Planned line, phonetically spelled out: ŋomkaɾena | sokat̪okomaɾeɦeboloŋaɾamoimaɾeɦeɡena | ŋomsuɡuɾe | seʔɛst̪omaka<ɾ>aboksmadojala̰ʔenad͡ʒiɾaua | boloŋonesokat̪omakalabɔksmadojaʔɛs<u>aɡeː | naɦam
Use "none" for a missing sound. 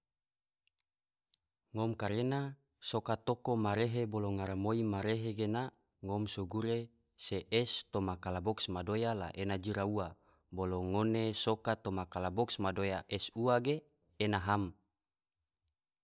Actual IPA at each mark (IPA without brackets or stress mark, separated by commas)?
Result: l, u